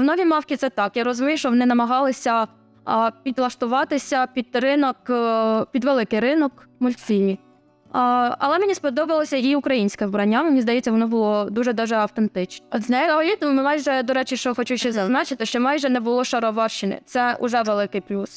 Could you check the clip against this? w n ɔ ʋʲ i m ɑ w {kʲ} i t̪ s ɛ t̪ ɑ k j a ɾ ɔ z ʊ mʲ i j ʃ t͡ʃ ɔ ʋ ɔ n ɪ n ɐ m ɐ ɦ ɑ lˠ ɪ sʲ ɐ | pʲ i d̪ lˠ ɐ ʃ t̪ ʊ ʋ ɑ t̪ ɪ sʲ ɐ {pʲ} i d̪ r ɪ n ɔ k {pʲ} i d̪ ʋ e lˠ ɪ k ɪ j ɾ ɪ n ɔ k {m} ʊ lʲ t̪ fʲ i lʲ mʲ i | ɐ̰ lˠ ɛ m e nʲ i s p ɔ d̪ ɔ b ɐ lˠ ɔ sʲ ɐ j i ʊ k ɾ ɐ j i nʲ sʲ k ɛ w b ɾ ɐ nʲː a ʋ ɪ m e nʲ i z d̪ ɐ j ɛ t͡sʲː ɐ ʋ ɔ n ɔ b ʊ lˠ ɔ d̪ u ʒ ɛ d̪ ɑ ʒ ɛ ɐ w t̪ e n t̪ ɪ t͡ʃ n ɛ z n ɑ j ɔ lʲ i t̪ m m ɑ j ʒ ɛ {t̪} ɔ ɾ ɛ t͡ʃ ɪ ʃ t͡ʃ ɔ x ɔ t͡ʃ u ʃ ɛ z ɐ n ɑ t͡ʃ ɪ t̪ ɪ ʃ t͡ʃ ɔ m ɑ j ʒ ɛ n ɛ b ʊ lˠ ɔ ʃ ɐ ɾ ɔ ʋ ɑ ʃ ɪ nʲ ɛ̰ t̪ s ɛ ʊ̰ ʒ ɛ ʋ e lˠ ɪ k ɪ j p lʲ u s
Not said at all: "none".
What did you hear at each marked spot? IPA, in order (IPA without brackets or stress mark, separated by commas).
kʲ, pʲ, pʲ, m, d̪